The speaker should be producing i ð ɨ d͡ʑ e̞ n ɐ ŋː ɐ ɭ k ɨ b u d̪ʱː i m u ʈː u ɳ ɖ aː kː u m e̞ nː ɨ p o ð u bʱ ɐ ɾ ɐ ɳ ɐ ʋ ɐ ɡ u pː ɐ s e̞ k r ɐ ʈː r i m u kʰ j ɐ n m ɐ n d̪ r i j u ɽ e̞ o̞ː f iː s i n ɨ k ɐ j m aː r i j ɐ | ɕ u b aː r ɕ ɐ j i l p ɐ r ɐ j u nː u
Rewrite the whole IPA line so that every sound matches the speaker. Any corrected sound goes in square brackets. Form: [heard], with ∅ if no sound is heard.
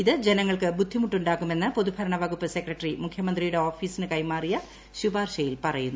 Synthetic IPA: i ð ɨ d͡ʑ e̞ n ɐ ŋː ɐ ɭ k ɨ b u d̪ʱː i m u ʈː u ɳ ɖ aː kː u m e̞ nː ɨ p o ð u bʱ ɐ ɾ ɐ ɳ ɐ ʋ ɐ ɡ u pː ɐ s e̞ k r ɐ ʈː r i m u kʰ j ɐ [∅] m ɐ n d̪ r i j u ɽ e̞ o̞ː f iː s i n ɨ k ɐ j m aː r i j ɐ | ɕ u b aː r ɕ ɐ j i l p ɐ r ɐ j u nː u